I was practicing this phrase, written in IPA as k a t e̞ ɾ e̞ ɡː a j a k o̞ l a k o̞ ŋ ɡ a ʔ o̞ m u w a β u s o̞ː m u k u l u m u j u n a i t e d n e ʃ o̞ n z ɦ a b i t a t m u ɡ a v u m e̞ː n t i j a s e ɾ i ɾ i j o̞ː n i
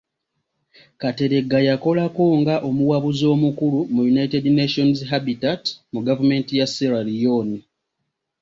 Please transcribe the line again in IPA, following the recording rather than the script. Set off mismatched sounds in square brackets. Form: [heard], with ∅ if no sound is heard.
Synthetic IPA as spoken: k a t e̞ ɾ e̞ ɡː a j a k o̞ l a k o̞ ŋ ɡ a ʔ o̞ m u w a β u [z] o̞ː m u k u l u m u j u n a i t e d n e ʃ o̞ n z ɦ a b i t a t m u ɡ a v u m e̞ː n t i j a s e ɾ [a] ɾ i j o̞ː n i